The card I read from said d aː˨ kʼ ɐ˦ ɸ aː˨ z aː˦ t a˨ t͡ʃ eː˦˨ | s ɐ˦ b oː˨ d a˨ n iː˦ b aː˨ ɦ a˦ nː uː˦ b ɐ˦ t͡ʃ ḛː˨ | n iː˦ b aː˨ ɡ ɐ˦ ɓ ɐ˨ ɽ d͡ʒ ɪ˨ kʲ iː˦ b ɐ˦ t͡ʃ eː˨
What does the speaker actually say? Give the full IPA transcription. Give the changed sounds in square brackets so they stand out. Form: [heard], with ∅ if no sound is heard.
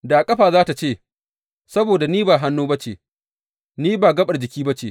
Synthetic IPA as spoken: d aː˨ kʼ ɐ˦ ɸ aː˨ z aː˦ t a˨ t͡ʃ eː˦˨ | s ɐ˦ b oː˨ d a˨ n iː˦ b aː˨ ɦ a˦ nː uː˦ b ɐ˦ t͡ʃ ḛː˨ | n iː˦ b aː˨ ɡ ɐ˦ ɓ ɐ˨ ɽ d͡ʒ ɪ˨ kʲ iː˦ b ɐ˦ t͡ʃ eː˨